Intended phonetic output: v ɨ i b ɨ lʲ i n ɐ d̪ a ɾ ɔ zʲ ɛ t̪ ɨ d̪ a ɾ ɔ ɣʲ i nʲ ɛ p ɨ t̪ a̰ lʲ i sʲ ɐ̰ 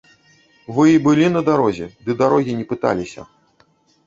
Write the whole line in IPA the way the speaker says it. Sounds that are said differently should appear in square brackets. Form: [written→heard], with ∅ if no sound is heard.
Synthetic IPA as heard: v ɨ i b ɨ lʲ i n ɐ d̪ a ɾ ɔ zʲ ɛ [t̪→d̪] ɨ d̪ a ɾ ɔ ɣʲ i nʲ ɛ p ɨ t̪ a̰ lʲ i sʲ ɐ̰

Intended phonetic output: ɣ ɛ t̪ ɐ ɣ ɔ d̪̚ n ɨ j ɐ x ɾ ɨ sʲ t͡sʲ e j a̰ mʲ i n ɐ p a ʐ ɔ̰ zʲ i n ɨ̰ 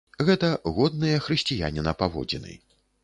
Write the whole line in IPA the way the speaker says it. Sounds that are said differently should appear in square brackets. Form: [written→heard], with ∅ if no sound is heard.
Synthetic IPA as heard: ɣ ɛ t̪ ɐ ɣ ɔ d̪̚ n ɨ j ɐ x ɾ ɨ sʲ t͡sʲ [e→i] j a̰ [mʲ→nʲ] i n ɐ p a [ʐ→v] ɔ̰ [zʲ→d͡zʲ] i n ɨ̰

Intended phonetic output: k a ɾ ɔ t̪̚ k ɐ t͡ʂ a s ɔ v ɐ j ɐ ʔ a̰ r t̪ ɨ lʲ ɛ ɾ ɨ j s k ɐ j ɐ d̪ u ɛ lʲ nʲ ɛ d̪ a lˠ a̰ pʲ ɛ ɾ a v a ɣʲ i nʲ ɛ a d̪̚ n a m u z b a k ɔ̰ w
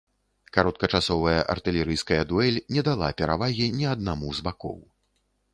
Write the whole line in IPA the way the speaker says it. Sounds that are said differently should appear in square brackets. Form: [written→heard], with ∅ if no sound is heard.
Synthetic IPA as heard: k a ɾ ɔ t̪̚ k ɐ t͡ʂ a s ɔ v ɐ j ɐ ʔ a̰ r t̪ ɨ lʲ ɛ ɾ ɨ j s k ɐ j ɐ d̪ u ɛ lʲ nʲ ɛ d̪ a lˠ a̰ pʲ ɛ ɾ a v a ɣʲ i nʲ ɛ a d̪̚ n a m u z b a k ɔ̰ w

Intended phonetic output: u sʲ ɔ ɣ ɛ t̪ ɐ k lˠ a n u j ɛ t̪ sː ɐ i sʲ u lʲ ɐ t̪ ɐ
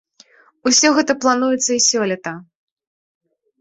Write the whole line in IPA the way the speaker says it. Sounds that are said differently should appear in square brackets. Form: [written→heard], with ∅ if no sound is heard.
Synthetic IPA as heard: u sʲ ɔ ɣ ɛ t̪ ɐ [k→p] lˠ a n u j ɛ t̪ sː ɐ i sʲ [u→ɔ] lʲ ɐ t̪ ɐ

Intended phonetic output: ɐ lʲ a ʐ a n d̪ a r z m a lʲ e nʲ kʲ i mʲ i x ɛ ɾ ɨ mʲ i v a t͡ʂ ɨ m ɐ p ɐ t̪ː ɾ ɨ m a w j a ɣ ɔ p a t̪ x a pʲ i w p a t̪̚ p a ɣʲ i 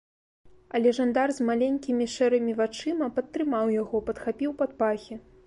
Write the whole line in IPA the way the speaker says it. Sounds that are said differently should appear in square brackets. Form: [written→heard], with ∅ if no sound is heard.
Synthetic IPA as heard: ɐ lʲ [a→ɛ] ʐ a n d̪ a r z m a lʲ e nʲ kʲ i mʲ i [x→ʂ] ɛ ɾ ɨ mʲ i v a t͡ʂ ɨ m ɐ p ɐ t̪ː ɾ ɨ m a w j a ɣ ɔ p [a→ɐ] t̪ x a pʲ i w p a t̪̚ p a [ɣʲ→xʲ] i

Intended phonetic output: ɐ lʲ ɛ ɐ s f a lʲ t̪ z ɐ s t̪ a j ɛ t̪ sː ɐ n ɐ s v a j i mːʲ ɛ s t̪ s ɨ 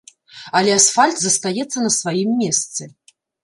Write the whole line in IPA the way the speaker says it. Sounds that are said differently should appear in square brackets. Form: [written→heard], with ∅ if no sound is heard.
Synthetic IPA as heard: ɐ lʲ ɛ [ɐ→a] s f a lʲ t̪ z ɐ s t̪ a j ɛ t̪ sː ɐ n ɐ s v a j i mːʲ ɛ s t̪ s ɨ

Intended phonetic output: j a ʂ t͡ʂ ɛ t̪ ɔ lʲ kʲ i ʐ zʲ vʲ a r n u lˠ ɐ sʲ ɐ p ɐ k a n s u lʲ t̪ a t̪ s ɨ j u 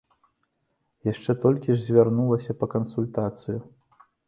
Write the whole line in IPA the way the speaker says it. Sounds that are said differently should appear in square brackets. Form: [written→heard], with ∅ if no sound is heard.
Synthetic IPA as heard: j a ʂ t͡ʂ ɛ t̪ ɔ lʲ kʲ i ʐ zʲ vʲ a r n u lˠ ɐ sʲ ɐ p ɐ k [a→ɐ] n s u lʲ t̪ a t̪ s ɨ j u

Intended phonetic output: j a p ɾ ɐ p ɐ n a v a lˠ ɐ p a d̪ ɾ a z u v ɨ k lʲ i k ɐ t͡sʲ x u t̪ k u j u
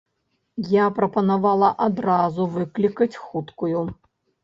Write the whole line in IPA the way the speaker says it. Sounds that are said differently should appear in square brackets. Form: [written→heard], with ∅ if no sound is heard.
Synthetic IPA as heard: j a p ɾ ɐ p ɐ n a v a lˠ ɐ [p→ʔ] a d̪ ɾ a z u v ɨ k lʲ i k ɐ t͡sʲ x u t̪ k u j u

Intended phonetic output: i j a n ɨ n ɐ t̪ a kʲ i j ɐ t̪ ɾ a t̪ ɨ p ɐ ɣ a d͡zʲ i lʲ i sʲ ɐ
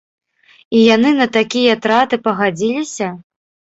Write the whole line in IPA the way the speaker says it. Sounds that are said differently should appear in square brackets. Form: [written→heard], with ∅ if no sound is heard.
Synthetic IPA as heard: i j a n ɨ n ɐ t̪ a kʲ i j ɐ t̪ ɾ a t̪ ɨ p ɐ ɣ a d͡zʲ i lʲ i sʲ ɐ

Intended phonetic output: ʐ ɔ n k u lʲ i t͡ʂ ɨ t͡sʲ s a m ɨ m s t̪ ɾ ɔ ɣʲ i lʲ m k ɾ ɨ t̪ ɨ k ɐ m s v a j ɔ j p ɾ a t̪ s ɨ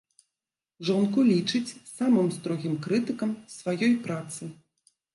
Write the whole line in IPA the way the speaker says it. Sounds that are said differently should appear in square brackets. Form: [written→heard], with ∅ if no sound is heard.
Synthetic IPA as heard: ʐ ɔ n k u lʲ i t͡ʂ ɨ t͡sʲ s a m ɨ m s t̪ ɾ ɔ ɣʲ i [lʲ→∅] m k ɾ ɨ t̪ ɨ k ɐ m s v a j ɔ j p ɾ a t̪ s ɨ

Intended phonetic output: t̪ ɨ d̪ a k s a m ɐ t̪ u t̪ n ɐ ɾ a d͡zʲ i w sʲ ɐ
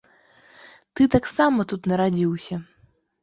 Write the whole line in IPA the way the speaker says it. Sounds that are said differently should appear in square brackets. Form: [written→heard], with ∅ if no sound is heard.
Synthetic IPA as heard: t̪ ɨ [d̪→t̪] a k s a m ɐ t̪ u t̪ n ɐ ɾ a d͡zʲ i w sʲ ɐ

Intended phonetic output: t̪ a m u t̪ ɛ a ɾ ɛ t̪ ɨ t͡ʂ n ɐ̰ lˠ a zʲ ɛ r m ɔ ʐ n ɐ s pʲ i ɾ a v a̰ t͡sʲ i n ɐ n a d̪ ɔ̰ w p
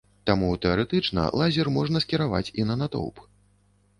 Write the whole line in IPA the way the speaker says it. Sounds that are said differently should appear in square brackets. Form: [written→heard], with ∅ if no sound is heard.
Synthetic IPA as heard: t̪ a m u t̪ ɛ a ɾ ɛ t̪ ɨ t͡ʂ n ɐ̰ lˠ a zʲ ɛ r m ɔ ʐ n ɐ s [pʲ→kʲ] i ɾ a v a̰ t͡sʲ i n ɐ n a [d̪→t̪] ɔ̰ w p

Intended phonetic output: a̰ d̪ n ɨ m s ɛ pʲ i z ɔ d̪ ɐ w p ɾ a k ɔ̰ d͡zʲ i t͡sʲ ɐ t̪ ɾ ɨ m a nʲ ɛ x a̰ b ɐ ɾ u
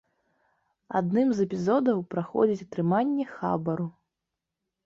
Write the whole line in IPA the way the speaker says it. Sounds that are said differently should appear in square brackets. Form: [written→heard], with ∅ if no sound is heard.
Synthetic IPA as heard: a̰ d̪ n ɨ m [s→z] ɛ pʲ i z ɔ d̪ ɐ w p ɾ a [k→x] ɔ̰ d͡zʲ i t͡sʲ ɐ t̪ ɾ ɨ m a [nʲ→nʲː] ɛ x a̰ b ɐ ɾ u

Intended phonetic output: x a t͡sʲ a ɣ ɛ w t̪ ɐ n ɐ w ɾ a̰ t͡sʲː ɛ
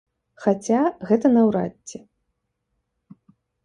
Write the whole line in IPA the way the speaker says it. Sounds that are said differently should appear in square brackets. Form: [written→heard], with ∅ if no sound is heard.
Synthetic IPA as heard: x a t͡sʲ a ɣ ɛ [w→∅] t̪ ɐ n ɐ w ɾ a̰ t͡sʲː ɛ

